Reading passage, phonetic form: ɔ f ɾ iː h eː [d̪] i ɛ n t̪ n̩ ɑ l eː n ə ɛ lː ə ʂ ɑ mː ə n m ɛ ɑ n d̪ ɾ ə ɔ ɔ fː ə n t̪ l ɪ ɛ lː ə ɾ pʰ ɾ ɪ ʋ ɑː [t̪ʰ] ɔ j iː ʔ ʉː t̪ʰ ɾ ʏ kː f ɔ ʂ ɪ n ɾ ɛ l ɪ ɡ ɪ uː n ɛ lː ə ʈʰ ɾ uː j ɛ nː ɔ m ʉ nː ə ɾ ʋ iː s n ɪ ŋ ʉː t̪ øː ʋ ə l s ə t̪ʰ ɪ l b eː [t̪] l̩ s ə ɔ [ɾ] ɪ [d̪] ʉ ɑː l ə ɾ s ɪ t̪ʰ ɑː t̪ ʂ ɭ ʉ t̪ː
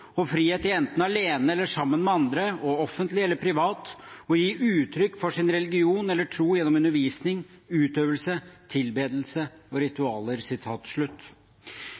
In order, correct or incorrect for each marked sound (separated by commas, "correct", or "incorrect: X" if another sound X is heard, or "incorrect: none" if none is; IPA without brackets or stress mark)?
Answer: incorrect: t̪, incorrect: t̪, incorrect: d̪, correct, incorrect: t̪